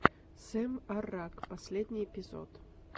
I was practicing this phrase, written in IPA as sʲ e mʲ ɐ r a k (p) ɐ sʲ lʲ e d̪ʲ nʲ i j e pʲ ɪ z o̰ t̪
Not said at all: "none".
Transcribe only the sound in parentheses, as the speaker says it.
p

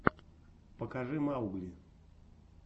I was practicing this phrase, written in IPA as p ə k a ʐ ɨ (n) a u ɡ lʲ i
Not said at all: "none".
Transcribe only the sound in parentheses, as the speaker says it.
m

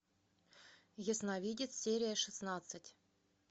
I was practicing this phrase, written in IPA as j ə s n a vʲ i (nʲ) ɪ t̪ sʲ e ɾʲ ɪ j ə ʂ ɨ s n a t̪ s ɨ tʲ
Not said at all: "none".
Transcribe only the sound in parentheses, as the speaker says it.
dʲ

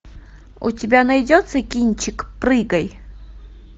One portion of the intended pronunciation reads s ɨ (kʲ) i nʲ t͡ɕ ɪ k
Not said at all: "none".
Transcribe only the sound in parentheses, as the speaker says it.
kʲ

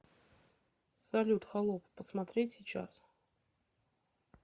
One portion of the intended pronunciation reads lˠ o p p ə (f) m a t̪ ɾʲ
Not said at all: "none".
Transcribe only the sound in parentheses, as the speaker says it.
s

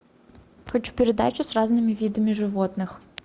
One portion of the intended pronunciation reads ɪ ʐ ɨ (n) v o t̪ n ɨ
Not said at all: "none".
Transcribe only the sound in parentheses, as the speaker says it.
none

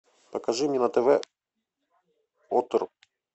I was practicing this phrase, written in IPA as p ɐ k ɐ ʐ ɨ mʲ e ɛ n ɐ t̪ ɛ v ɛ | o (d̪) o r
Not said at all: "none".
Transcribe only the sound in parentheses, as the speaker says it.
t̪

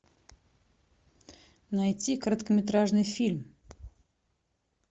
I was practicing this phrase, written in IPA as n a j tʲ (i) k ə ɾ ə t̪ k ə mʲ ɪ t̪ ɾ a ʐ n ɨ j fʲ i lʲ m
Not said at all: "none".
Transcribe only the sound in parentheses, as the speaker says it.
i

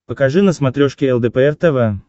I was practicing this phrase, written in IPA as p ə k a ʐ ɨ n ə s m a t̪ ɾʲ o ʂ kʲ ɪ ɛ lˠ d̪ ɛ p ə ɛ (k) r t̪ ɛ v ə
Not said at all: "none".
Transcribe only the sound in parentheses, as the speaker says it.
none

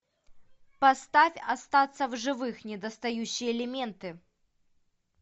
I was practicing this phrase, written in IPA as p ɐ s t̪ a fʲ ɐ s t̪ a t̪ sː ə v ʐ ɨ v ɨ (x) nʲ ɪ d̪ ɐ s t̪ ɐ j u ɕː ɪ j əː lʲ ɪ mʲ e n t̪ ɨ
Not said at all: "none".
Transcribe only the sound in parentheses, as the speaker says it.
x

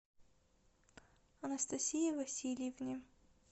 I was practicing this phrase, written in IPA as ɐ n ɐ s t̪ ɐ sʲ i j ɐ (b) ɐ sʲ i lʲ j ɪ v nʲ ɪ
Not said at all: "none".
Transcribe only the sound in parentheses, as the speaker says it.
v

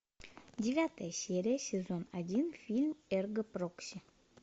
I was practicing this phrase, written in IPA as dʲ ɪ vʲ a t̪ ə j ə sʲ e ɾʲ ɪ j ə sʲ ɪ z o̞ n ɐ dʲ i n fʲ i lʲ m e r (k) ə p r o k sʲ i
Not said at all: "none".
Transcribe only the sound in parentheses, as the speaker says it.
ɡ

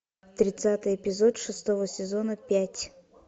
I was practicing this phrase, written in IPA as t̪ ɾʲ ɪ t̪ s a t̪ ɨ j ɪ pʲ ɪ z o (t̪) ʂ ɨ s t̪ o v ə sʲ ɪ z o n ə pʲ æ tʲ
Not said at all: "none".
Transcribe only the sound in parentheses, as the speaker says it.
t̪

